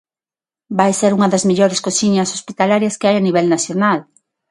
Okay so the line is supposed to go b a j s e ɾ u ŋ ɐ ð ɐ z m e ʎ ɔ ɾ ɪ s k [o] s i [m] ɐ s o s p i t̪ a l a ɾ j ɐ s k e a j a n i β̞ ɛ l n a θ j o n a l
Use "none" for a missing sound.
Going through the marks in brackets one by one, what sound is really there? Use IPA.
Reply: o, ɲ

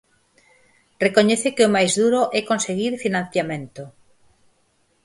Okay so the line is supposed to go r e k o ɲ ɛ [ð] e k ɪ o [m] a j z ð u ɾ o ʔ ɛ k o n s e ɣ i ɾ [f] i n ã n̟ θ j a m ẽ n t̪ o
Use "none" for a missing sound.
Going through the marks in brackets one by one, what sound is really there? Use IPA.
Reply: θ, m, f

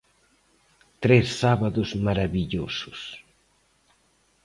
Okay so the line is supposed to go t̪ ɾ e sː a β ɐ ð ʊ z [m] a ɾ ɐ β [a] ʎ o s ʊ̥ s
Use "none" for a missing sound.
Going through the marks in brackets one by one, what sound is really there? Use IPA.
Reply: m, i

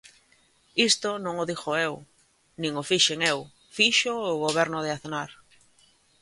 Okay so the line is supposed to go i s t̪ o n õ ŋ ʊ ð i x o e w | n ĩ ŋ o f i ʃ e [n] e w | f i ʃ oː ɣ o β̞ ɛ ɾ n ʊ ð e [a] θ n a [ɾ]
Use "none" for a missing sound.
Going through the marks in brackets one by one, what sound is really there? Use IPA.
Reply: ŋ, a, ɾ

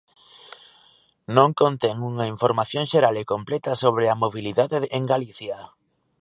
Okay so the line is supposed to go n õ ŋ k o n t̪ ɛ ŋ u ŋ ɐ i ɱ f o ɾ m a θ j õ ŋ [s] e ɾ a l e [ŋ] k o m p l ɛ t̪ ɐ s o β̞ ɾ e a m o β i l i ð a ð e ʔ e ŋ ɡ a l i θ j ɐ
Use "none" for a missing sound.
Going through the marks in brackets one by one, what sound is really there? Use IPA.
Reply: ʃ, none

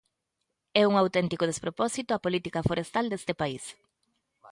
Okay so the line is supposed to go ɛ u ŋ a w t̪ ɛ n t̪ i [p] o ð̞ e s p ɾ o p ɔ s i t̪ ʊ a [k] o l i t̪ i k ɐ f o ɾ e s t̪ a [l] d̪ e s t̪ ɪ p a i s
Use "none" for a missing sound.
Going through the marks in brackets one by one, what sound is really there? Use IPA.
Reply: k, p, l

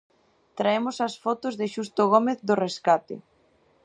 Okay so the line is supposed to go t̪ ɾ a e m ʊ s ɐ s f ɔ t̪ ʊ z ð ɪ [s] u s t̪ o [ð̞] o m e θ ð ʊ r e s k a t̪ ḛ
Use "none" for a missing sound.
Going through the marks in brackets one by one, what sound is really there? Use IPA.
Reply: ʃ, ɣ̞

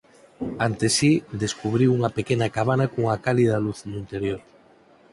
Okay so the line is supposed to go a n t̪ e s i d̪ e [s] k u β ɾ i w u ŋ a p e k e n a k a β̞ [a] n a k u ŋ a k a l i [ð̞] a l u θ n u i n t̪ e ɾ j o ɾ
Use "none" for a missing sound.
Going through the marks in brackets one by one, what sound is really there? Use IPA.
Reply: s, a, ð̞

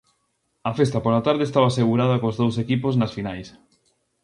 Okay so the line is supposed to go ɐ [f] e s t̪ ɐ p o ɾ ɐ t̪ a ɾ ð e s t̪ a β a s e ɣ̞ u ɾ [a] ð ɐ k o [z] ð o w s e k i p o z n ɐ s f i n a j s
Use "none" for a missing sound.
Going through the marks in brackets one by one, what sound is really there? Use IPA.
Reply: f, a, z

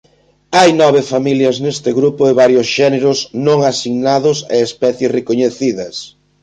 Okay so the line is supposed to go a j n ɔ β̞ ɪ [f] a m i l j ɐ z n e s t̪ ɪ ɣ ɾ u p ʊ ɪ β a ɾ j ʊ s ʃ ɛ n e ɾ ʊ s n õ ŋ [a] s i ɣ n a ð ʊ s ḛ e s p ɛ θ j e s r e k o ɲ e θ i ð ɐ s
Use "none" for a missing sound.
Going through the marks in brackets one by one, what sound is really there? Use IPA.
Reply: f, a

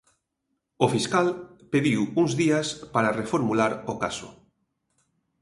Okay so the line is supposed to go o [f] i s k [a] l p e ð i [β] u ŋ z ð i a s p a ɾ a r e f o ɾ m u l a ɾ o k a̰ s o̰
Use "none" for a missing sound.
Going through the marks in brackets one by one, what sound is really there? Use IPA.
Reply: f, a, w

